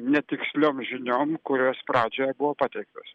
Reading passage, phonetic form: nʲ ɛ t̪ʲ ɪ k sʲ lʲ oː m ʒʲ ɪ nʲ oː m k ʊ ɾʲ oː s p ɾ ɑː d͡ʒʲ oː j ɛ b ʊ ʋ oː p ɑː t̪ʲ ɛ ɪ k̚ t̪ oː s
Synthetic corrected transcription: nʲ ɛ t̪ʲ ɪ k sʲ lʲ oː m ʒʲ ɪ nʲ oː m k ʊ ɾʲ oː s p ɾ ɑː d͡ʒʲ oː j ɛ b ʊ ʋ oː p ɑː t̪ʲ ɛ ɪ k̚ t̪ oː s